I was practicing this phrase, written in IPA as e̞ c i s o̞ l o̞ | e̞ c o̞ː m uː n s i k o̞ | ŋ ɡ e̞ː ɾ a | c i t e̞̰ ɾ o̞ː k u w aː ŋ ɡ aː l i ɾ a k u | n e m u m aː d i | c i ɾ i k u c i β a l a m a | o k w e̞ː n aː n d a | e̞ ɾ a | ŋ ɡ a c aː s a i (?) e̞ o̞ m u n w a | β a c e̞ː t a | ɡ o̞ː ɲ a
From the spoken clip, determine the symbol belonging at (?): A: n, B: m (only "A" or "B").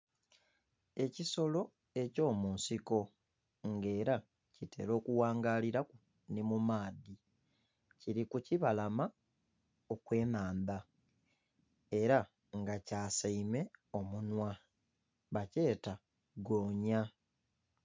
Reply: B